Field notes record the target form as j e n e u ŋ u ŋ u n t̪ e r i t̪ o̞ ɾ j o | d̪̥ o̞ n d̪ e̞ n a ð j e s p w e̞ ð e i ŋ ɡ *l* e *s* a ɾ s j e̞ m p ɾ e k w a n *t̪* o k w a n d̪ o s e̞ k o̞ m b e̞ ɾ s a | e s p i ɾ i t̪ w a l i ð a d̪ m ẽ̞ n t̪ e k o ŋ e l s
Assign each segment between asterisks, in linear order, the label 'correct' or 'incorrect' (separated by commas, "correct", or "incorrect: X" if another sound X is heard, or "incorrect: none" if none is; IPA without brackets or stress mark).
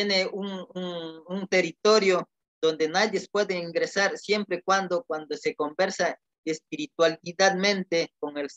incorrect: ɾ, correct, incorrect: d̪